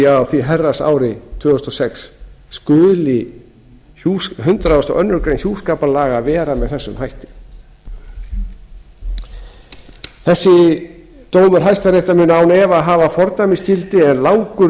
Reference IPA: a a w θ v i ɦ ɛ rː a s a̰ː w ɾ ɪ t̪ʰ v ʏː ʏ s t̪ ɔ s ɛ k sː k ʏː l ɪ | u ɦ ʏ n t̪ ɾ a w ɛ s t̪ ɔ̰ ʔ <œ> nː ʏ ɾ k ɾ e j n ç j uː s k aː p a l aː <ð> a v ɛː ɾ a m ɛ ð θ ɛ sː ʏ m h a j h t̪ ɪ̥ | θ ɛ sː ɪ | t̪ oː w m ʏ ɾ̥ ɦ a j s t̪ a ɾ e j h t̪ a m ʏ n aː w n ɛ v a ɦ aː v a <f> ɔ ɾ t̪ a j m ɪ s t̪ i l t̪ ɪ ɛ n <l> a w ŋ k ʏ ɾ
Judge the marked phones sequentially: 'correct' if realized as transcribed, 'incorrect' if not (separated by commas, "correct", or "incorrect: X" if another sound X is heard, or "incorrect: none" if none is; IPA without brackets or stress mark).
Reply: correct, incorrect: ɣ, correct, correct